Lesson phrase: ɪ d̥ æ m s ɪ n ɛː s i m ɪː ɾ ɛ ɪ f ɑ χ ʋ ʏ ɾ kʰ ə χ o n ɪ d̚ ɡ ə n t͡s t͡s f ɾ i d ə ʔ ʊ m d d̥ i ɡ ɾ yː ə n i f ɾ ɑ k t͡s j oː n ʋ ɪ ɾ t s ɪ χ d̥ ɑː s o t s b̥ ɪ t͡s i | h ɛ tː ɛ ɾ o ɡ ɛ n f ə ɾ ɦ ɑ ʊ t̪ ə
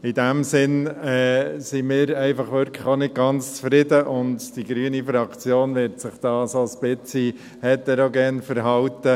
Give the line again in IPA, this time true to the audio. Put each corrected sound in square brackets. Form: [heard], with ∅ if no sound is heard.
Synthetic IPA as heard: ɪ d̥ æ m s ɪ n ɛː s i m ɪː ɾ ɛ ɪ f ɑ χ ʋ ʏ ɾ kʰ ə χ o n ɪ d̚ ɡ [ɑ] n t͡s t͡s f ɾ [ɪ] d ə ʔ ʊ [n] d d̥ i ɡ ɾ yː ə n i f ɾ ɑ k t͡s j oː n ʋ ɪ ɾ t s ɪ χ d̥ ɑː s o [∅] s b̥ ɪ t͡s i | h ɛ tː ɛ ɾ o ɡ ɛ n f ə ɾ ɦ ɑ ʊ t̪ ə